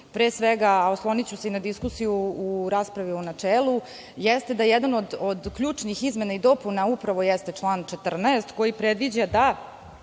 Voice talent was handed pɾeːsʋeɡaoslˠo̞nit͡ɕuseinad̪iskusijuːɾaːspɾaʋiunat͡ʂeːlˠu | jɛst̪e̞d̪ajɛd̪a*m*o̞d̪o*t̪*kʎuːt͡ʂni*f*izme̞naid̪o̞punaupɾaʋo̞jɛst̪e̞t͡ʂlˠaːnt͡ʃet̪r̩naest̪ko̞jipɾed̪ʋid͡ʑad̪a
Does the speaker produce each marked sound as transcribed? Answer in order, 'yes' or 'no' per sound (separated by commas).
no, no, no